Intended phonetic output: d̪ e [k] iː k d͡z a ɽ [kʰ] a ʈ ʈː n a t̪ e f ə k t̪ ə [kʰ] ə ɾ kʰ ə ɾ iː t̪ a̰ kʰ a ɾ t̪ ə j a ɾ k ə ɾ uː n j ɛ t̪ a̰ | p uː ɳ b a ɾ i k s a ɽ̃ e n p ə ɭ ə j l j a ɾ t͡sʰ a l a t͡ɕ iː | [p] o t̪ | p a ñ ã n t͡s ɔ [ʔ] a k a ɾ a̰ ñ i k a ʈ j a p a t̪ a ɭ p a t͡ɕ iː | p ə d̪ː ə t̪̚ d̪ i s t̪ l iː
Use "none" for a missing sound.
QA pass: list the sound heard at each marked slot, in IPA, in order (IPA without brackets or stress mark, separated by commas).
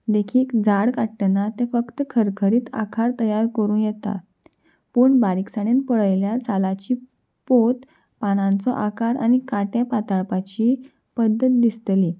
kʰ, k, kʰ, p, ʔ